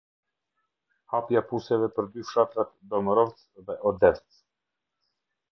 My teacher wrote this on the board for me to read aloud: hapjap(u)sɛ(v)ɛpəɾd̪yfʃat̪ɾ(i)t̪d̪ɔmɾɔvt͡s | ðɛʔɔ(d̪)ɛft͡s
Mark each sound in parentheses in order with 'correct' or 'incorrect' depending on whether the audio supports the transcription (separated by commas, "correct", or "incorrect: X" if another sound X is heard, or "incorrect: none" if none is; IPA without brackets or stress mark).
correct, correct, incorrect: a, correct